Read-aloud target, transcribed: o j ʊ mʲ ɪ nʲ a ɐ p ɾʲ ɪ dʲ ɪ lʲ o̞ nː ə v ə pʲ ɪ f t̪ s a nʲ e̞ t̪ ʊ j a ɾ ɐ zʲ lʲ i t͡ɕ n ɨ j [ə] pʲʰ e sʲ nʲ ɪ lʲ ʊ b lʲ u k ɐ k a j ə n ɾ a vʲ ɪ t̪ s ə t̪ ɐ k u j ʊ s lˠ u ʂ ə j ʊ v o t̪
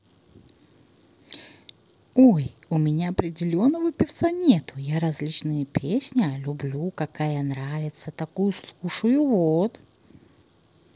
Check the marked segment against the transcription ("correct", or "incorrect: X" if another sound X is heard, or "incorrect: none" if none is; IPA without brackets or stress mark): correct